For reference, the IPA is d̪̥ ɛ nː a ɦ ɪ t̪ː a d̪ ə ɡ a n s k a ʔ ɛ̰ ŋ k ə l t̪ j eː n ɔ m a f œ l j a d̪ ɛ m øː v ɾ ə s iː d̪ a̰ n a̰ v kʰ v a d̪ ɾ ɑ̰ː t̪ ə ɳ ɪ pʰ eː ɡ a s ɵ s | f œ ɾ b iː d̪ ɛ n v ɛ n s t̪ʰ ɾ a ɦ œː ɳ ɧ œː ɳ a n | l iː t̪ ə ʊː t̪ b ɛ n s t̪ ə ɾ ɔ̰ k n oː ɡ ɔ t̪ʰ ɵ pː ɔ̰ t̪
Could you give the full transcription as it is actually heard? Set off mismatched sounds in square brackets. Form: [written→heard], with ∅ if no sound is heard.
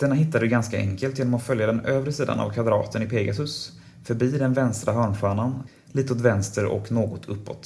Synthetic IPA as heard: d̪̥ ɛ nː a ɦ ɪ t̪ː a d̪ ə ɡ a n s k a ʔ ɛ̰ ŋ k ə l t̪ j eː n ɔ m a f œ l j a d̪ ɛ [m→n] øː v ɾ ə s iː d̪ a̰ n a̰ v kʰ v a d̪ ɾ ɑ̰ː t̪ ə [ɳ→n] ɪ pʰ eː ɡ a s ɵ s | f œ ɾ b iː d̪ ɛ n v ɛ n s [t̪ʰ→t̪] ɾ a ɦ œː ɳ ɧ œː ɳ a n | l iː t̪ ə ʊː t̪ [b→v] ɛ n s t̪ ə ɾ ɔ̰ k n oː ɡ ɔ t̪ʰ ɵ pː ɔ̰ t̪